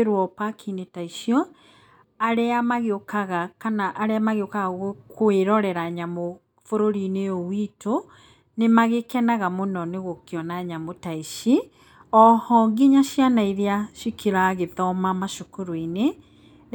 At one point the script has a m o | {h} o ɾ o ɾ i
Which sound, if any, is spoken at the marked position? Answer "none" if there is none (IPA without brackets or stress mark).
f